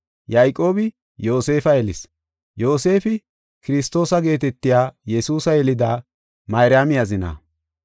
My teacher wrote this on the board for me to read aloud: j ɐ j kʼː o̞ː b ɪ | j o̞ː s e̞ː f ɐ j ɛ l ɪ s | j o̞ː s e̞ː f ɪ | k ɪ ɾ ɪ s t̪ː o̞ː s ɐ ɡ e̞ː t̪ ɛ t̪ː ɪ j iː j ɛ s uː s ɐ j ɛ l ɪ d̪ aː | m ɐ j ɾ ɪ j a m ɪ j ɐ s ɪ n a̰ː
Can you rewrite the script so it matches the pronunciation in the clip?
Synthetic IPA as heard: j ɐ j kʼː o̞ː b ɪ | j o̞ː s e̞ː f ɐ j ɛ l ɪ s | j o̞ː s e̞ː f ɪ | k ɪ ɾ ɪ s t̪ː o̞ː s ɐ ɡ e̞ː t̪ ɛ t̪ː ɪ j aː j ɛ s uː s ɐ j ɛ l ɪ d̪ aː | m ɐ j ɾ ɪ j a m ɪ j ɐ z ɪ n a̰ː